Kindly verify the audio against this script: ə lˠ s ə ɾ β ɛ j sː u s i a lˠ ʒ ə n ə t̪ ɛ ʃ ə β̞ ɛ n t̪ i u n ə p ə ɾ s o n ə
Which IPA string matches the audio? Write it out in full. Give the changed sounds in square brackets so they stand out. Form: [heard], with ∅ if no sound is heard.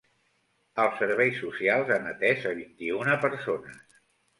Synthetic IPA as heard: ə lˠ s ə ɾ β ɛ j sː u s i a lˠ [z] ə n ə t̪ ɛ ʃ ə β̞ [i] n t̪ i u n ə p ə ɾ s o n ə